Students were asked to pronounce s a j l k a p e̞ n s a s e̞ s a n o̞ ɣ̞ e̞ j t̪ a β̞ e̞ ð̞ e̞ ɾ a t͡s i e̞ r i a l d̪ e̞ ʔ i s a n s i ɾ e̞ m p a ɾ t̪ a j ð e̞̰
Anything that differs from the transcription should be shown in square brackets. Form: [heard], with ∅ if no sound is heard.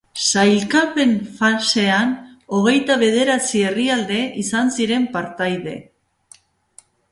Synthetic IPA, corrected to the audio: s a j l k a p e̞ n [f] a s e̞ [∅] a n o̞ ɣ̞ e̞ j t̪ a β̞ e̞ ð̞ e̞ ɾ a t͡s i e̞ r i a l d̪ e̞ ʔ i s a n s i ɾ e̞ m p a ɾ t̪ a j ð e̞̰